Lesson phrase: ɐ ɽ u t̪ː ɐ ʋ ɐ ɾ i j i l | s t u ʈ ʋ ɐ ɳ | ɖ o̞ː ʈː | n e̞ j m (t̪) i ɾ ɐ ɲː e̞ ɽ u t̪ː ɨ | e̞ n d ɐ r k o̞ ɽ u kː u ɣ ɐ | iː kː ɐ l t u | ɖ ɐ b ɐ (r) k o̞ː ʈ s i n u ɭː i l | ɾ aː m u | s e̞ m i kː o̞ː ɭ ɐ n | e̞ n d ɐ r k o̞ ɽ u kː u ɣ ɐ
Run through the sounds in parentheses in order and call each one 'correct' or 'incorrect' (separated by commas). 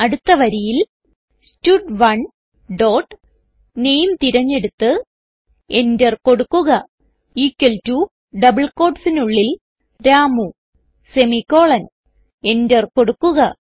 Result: correct, incorrect